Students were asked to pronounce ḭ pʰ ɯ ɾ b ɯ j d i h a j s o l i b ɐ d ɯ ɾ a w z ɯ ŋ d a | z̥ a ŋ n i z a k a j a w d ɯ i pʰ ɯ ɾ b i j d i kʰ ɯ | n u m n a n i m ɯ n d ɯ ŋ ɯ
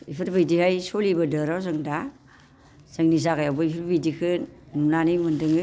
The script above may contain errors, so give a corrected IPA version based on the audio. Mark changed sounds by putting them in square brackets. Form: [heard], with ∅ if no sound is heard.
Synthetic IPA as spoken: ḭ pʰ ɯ ɾ b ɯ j d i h a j s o l i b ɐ d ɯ ɾ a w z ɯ ŋ d a | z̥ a ŋ n i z a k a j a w [b] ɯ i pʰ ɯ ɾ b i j d i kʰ ɯ | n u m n a n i m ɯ n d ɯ ŋ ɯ